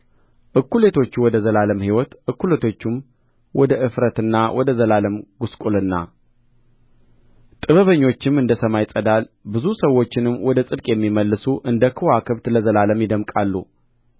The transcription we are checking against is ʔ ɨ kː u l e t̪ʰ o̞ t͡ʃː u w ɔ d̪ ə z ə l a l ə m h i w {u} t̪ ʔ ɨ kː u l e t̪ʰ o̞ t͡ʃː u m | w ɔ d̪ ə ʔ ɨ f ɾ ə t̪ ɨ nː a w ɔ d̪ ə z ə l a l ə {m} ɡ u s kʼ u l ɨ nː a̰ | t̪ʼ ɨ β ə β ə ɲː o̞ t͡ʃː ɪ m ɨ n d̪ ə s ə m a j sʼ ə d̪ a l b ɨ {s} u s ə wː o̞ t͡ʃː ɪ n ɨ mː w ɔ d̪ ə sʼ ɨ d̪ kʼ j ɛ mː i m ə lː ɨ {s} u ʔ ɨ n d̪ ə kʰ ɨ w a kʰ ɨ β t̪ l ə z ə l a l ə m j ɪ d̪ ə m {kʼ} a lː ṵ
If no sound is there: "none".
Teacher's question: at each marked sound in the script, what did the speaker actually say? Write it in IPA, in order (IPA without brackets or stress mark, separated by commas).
ɔ, m, z, s, kʼ